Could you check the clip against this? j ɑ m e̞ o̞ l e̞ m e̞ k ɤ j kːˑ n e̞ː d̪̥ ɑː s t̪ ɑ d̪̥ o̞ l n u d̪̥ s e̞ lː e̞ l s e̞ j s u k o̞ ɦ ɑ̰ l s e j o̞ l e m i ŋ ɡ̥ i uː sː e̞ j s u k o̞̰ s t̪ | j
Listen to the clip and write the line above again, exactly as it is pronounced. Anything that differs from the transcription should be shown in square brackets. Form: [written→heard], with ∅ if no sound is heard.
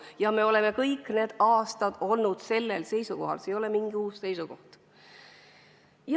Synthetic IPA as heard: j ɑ m e̞ o̞ l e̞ m e̞ k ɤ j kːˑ n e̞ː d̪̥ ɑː s t̪ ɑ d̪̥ o̞ l n u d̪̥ s e̞ lː e̞ l s e̞ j s u k o̞ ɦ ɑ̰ l s e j o̞ l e m i ŋ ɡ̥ i uː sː e̞ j s u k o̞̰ [s→h] t̪ | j

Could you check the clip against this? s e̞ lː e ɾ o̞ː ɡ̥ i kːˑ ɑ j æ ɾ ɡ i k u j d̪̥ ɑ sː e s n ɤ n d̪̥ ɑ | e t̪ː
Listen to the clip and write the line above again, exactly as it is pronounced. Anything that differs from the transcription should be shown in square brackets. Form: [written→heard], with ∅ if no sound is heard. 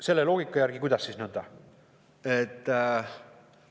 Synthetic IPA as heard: s e̞ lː e [ɾ→l] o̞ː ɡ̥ i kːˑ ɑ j æ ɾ ɡ i k u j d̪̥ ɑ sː [e→i] s n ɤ n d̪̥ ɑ | e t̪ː

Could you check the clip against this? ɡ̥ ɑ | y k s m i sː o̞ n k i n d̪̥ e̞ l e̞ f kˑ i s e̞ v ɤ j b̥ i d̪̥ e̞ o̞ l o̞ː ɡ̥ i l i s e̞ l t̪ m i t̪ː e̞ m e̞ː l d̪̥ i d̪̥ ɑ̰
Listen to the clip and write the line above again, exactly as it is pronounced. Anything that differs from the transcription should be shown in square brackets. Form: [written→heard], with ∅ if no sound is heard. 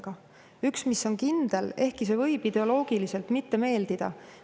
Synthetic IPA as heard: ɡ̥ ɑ | y k s m i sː o̞ n k i n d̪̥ e̞ l e̞ [f→h] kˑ i s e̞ v ɤ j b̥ i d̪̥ e̞ o̞ l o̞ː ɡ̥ i l i s e̞ l t̪ m i t̪ː e̞ m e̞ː l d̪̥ i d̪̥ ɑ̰

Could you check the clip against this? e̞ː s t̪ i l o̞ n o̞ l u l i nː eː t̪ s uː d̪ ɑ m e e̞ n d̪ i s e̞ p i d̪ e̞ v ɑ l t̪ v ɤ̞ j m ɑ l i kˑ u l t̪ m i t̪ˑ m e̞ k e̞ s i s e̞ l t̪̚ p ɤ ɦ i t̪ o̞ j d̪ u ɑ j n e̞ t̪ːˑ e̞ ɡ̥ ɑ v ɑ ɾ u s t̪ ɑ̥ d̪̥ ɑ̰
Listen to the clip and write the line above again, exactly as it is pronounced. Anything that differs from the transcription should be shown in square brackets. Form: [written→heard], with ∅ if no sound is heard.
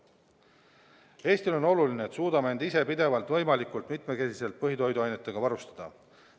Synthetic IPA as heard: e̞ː s t̪ i l o̞ n o̞ l u l i [nː→n] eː t̪ s uː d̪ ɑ m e e̞ n d̪ i s e̞ p i d̪ e̞ v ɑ l t̪ v ɤ̞ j m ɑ l i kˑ u l t̪ m i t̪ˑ m e̞ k e̞ s i s e̞ l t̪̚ p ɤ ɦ i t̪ o̞ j d̪ u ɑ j n e̞ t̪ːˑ e̞ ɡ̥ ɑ v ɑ ɾ u s t̪ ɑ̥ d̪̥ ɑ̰

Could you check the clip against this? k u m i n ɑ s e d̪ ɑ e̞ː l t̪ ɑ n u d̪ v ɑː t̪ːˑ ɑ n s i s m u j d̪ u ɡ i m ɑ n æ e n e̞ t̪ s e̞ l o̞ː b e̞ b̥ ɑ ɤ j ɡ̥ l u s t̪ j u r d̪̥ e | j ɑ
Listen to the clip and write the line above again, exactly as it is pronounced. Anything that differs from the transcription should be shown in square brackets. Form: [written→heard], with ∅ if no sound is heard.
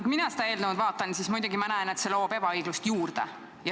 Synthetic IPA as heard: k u m i n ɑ s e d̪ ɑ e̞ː l [t̪→d̪] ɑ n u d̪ v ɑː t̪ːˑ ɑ n s i s m u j d̪ u ɡ i m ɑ n æ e n e̞ t̪ s e̞ l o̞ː b e̞ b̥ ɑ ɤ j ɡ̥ l u s t̪ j [u→uː] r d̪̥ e | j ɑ

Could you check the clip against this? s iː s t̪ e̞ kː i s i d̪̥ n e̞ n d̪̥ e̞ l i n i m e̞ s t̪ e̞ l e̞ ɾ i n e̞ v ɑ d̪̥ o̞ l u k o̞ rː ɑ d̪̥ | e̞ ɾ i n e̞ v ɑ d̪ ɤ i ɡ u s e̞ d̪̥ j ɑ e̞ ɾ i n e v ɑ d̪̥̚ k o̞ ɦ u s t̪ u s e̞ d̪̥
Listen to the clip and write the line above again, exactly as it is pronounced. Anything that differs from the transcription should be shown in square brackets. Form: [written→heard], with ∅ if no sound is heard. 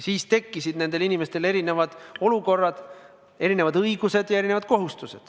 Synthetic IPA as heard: s iː s t̪ e̞ kː i s i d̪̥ n e̞ n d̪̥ e̞ l i n i m e̞ s t̪ e̞ l e̞ ɾ i n e̞ v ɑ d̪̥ o̞ l u k o̞ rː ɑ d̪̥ | e̞ ɾ i n e̞ v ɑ d̪ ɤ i ɡ u s e̞ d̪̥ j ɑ e̞ ɾ i n e v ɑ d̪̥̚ k o̞ ɦ u s t̪ u s e̞ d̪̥

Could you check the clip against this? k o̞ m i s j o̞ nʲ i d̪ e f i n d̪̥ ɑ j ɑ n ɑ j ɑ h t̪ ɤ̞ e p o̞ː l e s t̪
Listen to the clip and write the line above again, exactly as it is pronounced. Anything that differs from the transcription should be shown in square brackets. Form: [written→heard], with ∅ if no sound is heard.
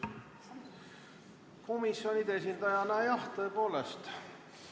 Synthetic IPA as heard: k o̞ m i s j o̞ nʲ i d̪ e [f→s] i n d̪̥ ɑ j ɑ n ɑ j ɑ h t̪ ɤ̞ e p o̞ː l e s t̪

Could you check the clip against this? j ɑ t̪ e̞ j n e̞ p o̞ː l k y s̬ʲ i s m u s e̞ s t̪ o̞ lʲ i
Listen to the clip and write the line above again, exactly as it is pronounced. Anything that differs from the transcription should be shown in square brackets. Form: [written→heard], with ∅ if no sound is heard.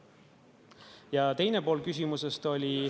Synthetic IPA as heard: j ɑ t̪ e̞ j n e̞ p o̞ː l k y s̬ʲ i [s→∅] m u s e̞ s t̪ o̞ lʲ i

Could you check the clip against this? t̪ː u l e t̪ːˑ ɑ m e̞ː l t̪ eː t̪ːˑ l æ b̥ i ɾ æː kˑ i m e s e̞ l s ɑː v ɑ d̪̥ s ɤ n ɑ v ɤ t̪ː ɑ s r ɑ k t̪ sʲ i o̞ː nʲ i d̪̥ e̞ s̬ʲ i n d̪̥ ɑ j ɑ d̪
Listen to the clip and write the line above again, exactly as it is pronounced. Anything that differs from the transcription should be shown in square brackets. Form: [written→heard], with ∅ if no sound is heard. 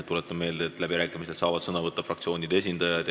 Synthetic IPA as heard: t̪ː u l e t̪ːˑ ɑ m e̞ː l [t̪→d̪] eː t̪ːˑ l æ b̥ i ɾ æː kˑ i m [e→i] s e̞ l s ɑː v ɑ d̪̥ s ɤ n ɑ v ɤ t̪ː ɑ [s→f] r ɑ k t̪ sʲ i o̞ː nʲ i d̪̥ e̞ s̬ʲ i n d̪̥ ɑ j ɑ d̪

